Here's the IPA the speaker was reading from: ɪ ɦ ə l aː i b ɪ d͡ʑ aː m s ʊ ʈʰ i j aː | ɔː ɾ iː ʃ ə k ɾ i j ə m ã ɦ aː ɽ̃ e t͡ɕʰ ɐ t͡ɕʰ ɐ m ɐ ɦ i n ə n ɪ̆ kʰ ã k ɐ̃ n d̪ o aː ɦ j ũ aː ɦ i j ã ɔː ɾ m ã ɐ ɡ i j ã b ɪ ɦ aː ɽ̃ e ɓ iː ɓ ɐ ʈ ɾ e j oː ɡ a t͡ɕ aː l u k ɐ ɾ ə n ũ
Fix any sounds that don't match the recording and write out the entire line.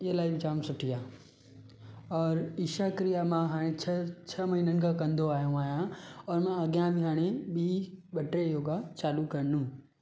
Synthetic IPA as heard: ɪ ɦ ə l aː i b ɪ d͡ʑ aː m s ʊ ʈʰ i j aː | ɔː ɾ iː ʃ a k ɾ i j a m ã ɦ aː ɽ̃ e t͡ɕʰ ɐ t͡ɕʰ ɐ m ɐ ɦ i n ə n ɪ̆ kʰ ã k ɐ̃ n d̪ o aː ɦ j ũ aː ɦ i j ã ɔː ɾ m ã ɐ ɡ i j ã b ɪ ɦ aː ɽ̃ e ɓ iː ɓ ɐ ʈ ɾ e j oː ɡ a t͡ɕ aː l u k ɐ ɾ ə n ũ